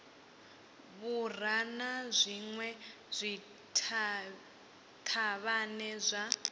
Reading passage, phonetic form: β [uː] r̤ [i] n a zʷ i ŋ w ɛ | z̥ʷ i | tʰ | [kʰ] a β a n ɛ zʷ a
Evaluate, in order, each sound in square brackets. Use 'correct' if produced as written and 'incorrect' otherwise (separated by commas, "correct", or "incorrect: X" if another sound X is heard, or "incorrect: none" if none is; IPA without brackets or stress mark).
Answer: incorrect: u, incorrect: a, incorrect: tʰ